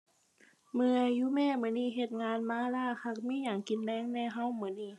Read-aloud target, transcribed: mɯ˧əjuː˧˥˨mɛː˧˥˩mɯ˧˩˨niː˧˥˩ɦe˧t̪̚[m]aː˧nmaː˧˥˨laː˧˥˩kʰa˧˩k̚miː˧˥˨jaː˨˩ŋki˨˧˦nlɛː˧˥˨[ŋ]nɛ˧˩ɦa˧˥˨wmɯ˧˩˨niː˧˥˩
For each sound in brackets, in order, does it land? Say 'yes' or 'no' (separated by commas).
no, yes